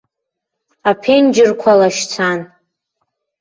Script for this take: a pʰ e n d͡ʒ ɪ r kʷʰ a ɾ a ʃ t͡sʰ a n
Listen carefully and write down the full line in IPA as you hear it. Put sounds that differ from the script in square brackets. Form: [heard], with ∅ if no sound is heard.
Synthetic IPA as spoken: a pʰ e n d͡ʒ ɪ r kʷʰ a [l] a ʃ t͡sʰ a n

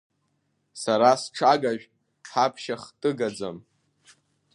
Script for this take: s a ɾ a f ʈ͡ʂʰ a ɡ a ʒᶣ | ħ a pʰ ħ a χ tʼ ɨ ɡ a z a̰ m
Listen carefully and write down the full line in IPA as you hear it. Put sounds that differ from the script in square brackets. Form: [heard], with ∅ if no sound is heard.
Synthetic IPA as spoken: s a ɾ a [s] ʈ͡ʂʰ a ɡ a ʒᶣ | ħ a pʰ [ʃ] a χ tʼ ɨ ɡ a [d͡z] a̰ m

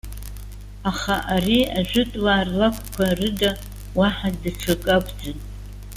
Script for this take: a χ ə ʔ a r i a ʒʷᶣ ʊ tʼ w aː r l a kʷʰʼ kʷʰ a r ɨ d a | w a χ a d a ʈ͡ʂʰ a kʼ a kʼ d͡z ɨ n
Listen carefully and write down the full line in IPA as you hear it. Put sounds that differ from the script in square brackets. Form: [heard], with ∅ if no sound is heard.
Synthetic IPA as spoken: a χ [a] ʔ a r i a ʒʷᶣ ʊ tʼ w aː r l a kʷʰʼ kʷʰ a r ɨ d a | w a [ħ] a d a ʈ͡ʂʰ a kʼ a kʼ d͡z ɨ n

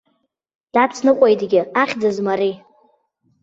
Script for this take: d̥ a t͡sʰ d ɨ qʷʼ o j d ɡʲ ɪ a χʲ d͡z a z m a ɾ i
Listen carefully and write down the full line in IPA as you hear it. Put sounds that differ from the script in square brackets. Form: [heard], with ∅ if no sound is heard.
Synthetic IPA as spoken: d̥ a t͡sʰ [n] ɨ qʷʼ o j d ɡʲ ɪ a χʲ d͡z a z m a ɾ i

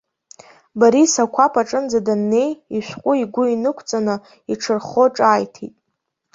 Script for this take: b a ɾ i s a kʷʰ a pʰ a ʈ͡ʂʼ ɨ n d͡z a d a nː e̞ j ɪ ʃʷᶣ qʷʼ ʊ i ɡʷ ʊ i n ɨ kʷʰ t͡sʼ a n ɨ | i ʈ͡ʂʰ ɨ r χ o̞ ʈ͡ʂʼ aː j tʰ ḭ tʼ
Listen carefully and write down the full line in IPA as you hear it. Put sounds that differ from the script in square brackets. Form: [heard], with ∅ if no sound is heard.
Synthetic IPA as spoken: b a ɾ i s a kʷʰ a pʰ a ʈ͡ʂʼ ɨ n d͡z a d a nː e̞ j [i] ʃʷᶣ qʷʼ ʊ i ɡʷ ʊ i n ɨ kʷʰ t͡sʼ a n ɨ | i ʈ͡ʂʰ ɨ r χ o̞ ʈ͡ʂʼ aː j tʰ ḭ tʼ

